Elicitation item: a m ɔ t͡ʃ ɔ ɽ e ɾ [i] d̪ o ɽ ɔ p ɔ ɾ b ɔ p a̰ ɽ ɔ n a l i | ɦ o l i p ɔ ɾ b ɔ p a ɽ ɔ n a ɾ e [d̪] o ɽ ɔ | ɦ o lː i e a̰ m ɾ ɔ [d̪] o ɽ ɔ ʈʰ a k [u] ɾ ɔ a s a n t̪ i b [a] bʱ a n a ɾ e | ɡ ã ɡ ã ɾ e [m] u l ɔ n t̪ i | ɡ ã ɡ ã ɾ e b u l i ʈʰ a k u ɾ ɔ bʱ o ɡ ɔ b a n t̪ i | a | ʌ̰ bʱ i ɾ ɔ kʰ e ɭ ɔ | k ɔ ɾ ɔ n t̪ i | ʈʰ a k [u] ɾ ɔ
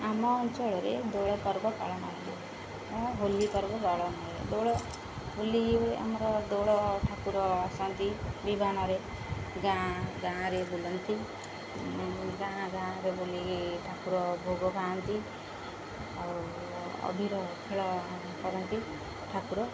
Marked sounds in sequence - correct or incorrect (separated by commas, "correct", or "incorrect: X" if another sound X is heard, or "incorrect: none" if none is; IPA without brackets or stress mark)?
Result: incorrect: e, correct, correct, correct, incorrect: i, incorrect: b, correct